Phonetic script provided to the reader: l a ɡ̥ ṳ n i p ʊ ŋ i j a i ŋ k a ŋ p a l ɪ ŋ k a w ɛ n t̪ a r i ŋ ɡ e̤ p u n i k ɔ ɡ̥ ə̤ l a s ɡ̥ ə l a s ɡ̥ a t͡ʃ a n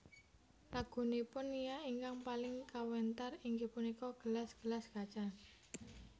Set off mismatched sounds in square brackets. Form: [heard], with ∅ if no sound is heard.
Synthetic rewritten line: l a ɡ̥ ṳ n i p ʊ [n] i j a i ŋ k a ŋ p a l ɪ ŋ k a w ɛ n t̪ a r i ŋ ɡ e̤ p u n i k ɔ ɡ̥ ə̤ l a s ɡ̥ ə l a s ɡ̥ a t͡ʃ a n